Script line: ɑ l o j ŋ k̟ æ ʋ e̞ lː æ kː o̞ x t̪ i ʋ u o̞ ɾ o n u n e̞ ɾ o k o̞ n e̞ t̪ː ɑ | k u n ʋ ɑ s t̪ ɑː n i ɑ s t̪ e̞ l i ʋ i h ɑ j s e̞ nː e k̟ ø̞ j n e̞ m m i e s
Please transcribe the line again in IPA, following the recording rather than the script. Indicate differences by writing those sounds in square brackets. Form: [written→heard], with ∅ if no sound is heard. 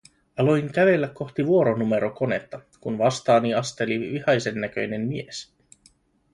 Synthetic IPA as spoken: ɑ l o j ŋ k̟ æ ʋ e̞ lː æ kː o̞ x t̪ i ʋ u o̞ ɾ o n u [n→m] e̞ ɾ o k o̞ n e̞ t̪ː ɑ | k u n ʋ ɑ s t̪ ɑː n i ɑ s t̪ e̞ l i ʋ i h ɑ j s e̞ nː [e→æ] k̟ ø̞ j n e̞ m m i e s